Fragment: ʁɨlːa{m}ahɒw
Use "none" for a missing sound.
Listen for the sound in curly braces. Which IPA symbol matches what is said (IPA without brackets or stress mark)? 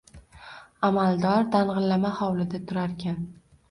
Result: m